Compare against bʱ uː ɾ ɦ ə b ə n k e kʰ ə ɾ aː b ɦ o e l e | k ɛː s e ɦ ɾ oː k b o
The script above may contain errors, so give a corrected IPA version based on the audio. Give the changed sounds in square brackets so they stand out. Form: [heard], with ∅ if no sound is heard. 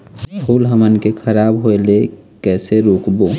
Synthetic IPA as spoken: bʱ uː [l] ɦ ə [m] ə n k e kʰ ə ɾ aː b ɦ o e l e | k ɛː s e [∅] ɾ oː k b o